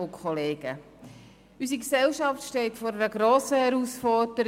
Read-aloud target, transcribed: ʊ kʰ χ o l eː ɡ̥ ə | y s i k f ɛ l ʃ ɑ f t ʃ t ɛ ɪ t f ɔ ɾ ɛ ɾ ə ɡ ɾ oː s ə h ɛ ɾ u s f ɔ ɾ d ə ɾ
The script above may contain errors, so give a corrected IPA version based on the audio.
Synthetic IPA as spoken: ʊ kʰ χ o l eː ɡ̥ ə | y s i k s ɛ l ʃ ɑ f t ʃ t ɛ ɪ t f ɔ ɾ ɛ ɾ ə ɡ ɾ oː s ə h ɛ ɾ u s f ɔ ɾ d ə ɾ